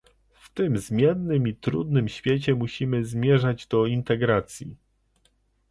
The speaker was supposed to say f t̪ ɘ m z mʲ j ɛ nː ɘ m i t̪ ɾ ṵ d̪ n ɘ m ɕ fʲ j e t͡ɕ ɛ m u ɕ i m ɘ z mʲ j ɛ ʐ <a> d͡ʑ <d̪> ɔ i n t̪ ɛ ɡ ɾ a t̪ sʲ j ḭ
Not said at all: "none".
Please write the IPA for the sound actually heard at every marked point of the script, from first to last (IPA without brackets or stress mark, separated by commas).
a, d̪